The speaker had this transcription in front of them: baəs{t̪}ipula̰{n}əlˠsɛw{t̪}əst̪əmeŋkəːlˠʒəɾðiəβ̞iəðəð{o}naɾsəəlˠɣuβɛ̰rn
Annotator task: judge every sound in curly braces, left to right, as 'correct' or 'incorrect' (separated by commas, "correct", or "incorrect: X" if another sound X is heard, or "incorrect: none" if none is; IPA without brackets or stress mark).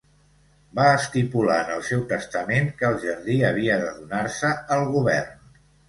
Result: correct, correct, correct, incorrect: u